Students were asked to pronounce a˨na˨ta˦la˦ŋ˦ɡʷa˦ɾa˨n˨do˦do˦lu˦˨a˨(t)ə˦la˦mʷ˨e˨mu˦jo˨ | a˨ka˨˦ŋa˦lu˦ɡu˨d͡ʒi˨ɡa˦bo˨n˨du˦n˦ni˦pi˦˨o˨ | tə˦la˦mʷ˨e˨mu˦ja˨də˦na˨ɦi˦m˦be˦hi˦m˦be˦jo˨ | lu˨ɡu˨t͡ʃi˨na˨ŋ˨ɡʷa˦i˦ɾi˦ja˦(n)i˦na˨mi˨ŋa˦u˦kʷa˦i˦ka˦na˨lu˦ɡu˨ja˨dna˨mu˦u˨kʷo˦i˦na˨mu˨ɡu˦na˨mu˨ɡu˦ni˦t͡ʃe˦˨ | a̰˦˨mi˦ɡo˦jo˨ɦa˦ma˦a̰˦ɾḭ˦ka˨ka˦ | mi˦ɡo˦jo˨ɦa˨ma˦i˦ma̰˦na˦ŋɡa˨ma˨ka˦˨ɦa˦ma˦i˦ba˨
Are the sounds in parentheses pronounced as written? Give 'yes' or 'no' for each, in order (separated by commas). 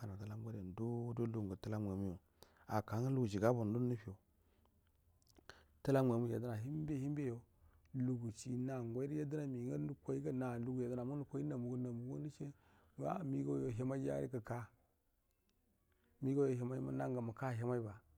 yes, no